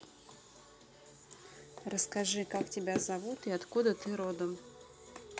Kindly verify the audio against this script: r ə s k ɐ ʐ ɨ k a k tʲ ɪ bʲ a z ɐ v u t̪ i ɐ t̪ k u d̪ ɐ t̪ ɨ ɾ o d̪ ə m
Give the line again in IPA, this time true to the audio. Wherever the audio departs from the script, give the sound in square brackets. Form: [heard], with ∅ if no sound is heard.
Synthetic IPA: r ə s k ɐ ʐ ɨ k a k tʲ ɪ bʲ a z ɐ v u t̪ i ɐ t̪ k u d̪ [ə] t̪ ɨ ɾ o d̪ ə m